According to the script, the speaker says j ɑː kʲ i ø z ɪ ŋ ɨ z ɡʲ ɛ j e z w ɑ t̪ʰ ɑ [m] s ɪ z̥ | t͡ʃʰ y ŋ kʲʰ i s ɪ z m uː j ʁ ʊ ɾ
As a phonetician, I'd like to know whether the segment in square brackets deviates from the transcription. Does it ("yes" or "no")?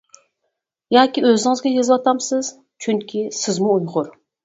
no